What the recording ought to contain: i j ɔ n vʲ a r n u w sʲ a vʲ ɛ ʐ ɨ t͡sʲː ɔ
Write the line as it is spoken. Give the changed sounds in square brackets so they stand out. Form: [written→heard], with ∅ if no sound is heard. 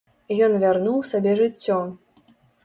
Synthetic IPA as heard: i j ɔ n vʲ a r n u w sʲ a [vʲ→bʲ] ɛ ʐ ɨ t͡sʲː ɔ